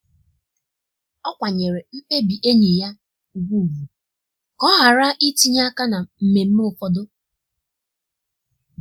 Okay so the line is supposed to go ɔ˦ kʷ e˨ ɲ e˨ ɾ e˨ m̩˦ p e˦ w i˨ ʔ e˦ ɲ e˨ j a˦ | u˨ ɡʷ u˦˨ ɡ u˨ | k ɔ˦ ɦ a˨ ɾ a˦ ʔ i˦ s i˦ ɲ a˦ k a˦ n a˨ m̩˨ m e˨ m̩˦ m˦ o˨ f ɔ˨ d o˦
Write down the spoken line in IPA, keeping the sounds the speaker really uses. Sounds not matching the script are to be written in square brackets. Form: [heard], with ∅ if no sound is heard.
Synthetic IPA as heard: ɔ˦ kʷ [a˨] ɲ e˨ ɾ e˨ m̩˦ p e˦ [b] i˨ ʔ e˦ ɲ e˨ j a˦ | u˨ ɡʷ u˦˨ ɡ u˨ | k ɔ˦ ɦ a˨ ɾ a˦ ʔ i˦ [t] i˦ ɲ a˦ k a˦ n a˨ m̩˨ m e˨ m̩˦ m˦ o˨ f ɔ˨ d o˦